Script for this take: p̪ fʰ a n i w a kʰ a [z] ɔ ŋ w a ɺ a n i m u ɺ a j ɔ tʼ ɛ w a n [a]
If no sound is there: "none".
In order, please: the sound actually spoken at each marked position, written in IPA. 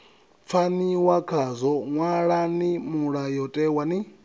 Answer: z, i

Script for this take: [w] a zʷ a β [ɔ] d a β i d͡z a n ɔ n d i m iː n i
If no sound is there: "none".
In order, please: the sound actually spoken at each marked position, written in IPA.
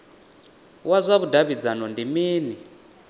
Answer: w, u

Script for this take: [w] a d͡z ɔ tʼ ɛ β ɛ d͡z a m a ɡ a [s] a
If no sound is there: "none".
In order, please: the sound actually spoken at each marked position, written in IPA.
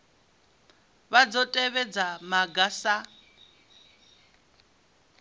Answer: β, s

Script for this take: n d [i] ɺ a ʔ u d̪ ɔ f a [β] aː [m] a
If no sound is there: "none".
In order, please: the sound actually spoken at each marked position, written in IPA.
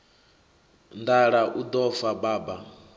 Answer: a, b, b

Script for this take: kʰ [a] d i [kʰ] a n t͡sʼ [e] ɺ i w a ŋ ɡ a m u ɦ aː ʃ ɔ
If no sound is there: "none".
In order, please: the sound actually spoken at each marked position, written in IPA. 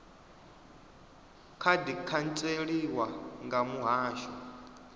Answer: a, kʰ, e

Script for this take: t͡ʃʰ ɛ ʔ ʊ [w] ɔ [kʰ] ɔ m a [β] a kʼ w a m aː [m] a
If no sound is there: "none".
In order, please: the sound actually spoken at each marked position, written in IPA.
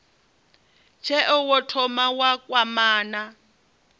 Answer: w, tʰ, w, n

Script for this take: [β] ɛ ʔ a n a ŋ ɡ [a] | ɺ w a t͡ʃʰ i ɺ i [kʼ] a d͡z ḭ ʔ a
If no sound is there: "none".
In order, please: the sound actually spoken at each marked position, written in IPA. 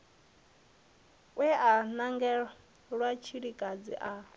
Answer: w, ɛ, kʼ

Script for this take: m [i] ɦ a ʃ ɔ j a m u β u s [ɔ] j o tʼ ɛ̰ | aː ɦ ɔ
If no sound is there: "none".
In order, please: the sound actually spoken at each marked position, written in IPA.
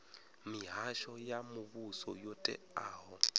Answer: i, ɔ

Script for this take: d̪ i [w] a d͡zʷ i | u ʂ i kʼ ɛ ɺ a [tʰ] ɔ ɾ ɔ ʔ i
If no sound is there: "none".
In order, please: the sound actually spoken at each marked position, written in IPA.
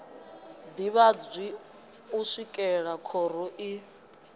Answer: β, kʰ

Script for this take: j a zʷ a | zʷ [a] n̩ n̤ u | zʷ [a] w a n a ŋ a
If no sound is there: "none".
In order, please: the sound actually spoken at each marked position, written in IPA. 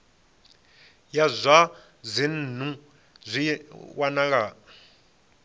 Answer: i, i

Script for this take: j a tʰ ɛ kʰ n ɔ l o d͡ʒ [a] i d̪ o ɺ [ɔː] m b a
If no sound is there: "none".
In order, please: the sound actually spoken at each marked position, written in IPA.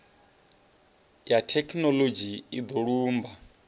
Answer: i, uː

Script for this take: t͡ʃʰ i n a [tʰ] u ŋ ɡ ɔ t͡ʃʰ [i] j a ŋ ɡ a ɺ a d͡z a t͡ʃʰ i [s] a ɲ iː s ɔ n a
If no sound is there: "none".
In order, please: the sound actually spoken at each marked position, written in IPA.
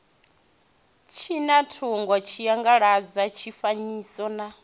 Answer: tʰ, i, f

